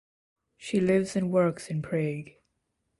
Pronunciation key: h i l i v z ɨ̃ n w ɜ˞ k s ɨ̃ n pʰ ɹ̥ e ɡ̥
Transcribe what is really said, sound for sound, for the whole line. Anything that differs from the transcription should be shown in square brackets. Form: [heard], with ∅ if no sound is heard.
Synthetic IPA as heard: [ʃ] i l [ɪ] v z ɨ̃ n w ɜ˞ k s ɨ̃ n pʰ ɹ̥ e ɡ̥